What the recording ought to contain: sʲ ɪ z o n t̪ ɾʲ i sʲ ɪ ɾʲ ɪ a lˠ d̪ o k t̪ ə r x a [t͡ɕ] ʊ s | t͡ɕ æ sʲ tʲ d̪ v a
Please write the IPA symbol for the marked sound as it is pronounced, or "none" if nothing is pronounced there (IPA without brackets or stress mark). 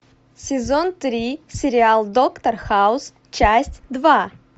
none